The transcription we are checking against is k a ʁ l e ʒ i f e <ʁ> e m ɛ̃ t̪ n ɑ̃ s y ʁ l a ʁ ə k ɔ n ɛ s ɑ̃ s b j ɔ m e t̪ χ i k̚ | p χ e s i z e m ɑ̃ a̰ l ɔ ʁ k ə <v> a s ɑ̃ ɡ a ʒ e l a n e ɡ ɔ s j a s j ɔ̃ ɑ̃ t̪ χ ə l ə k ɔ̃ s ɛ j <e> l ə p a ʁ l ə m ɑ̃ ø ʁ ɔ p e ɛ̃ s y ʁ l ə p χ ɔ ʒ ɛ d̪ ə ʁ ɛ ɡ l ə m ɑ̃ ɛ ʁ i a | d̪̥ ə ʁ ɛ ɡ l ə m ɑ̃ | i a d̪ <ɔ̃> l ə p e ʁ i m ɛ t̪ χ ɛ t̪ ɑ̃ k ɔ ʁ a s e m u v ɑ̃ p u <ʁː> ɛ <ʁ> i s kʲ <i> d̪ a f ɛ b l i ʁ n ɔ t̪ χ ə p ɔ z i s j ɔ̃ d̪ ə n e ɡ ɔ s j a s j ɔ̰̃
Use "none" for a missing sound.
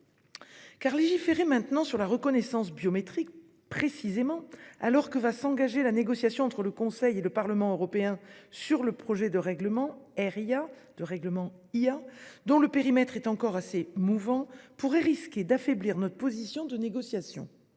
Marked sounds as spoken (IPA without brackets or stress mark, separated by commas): ʁ, v, e, ɔ̃, ʁ, ʁ, e